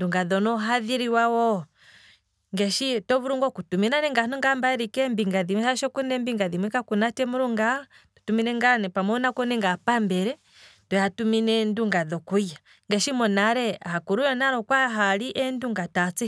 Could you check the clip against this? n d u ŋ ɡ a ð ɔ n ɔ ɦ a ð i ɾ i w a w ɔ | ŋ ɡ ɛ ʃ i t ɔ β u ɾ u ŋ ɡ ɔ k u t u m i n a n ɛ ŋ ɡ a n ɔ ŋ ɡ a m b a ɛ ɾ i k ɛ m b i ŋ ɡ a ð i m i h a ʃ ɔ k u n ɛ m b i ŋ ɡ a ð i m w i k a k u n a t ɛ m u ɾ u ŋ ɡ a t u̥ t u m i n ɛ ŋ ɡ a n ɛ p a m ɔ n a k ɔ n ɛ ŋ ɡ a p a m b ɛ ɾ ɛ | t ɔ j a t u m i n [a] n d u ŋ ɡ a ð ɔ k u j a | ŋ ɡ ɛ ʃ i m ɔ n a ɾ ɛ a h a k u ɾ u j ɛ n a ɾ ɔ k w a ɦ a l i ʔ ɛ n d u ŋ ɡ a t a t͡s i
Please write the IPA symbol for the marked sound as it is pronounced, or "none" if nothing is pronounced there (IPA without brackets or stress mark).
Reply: ɛ